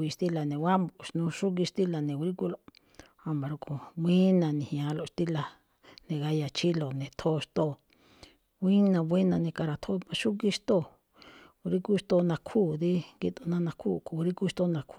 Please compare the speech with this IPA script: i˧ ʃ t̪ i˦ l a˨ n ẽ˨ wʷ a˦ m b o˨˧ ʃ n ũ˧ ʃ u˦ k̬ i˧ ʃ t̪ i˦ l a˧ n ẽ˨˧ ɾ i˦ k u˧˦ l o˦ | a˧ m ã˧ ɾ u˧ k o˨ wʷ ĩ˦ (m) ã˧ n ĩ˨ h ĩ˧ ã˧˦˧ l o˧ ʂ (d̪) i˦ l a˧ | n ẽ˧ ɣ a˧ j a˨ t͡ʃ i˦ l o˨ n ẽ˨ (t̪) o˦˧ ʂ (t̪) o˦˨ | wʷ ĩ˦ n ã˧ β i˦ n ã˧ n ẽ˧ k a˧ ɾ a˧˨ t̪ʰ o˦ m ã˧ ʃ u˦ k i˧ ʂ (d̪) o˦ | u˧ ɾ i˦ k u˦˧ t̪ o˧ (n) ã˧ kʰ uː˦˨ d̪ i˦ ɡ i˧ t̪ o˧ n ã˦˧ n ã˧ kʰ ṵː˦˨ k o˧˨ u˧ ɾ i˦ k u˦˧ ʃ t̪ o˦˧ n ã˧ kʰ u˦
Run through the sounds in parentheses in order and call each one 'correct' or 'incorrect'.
incorrect: n, incorrect: t̪, incorrect: t̪ʰ, correct, incorrect: t̪, correct

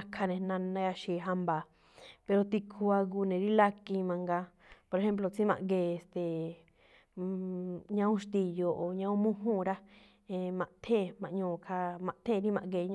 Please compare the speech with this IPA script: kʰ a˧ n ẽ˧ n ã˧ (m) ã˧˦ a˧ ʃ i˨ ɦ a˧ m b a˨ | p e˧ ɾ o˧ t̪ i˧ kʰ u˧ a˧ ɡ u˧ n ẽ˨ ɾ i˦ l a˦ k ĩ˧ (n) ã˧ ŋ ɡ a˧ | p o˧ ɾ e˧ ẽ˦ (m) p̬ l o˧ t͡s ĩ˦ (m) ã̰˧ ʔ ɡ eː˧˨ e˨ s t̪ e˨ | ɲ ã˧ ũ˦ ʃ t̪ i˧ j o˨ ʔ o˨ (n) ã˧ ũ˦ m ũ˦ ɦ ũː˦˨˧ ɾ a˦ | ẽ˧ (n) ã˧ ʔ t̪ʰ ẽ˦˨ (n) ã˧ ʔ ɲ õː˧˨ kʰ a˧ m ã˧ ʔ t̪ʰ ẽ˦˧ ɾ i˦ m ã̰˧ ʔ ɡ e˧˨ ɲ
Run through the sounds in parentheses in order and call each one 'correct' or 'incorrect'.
incorrect: n, incorrect: m, correct, correct, incorrect: ɲ, incorrect: m, incorrect: m

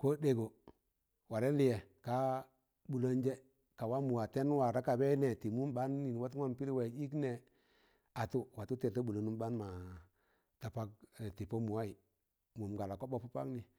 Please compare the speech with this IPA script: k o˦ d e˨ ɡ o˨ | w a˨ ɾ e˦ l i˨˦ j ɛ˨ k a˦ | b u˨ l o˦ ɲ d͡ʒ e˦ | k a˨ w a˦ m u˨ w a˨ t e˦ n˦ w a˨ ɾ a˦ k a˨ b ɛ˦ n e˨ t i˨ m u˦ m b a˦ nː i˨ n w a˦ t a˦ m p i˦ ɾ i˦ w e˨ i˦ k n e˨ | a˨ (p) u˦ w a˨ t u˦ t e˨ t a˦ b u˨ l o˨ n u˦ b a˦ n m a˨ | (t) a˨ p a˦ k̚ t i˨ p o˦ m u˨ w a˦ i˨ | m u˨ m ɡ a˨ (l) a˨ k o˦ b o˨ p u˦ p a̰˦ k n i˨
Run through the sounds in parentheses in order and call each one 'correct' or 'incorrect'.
incorrect: t, correct, correct

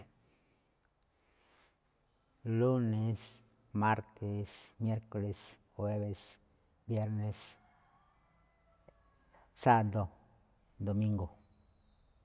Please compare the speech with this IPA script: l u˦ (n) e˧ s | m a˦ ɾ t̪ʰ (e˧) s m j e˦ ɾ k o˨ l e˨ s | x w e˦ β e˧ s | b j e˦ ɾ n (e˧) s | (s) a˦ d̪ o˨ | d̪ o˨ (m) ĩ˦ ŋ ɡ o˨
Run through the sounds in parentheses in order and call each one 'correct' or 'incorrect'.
correct, correct, correct, correct, correct

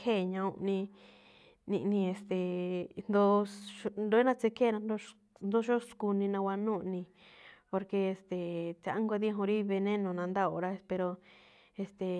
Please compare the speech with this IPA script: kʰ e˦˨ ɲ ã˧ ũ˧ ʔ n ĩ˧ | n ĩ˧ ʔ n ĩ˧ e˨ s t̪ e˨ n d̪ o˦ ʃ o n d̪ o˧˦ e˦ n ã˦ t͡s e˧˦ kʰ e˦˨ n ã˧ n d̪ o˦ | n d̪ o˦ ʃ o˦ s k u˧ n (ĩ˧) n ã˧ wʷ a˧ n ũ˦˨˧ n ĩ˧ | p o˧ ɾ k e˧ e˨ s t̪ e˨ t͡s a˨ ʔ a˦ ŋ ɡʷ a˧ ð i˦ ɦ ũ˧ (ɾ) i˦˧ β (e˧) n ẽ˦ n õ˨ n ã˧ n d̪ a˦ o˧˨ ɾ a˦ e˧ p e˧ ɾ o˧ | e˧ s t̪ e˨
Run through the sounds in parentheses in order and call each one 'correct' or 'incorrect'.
correct, correct, correct

